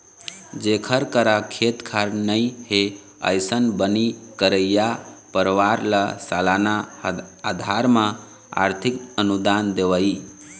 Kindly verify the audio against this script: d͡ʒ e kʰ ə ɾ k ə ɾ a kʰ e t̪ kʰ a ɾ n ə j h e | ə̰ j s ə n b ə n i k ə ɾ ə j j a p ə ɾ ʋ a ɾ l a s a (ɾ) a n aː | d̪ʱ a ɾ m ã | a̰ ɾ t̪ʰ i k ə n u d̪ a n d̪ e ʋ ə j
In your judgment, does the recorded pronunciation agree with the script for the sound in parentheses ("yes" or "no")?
no